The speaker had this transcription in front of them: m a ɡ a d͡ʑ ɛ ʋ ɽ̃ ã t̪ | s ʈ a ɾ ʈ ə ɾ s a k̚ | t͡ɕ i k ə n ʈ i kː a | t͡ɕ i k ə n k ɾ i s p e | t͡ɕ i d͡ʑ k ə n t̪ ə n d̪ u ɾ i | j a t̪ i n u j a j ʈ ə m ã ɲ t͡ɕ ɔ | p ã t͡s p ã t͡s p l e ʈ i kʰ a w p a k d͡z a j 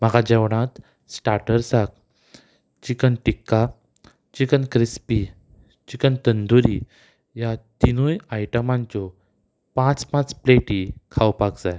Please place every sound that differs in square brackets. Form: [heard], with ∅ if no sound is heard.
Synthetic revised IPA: m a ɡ a d͡ʑ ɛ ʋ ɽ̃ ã t̪ | s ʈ a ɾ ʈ ə ɾ s a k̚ | t͡ɕ i k ə n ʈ i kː a | t͡ɕ i k ə n k ɾ i s p [i] | t͡ɕ i [∅] k ə n t̪ ə n d̪ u ɾ i | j a t̪ i n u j a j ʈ ə m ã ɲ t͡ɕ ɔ | p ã t͡s p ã t͡s p l e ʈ i kʰ a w p a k d͡z a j